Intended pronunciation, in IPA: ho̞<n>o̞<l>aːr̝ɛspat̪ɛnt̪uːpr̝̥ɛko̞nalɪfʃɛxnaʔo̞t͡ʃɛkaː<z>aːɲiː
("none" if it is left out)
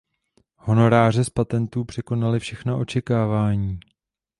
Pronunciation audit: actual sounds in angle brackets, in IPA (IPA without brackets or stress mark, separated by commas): n, ɾ, v